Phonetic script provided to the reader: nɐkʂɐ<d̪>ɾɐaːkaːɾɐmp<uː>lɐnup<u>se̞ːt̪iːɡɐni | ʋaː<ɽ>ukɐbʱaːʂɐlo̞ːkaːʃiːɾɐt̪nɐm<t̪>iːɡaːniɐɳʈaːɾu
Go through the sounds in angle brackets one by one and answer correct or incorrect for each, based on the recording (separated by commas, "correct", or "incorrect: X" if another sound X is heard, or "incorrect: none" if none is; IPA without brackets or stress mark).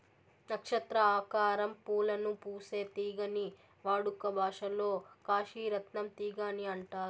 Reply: incorrect: t̪, correct, incorrect: uː, correct, correct